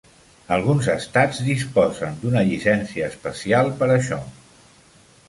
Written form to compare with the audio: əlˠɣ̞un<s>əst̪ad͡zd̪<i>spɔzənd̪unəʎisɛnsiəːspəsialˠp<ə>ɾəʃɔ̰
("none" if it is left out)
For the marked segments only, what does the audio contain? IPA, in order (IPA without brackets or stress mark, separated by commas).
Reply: z, i, ə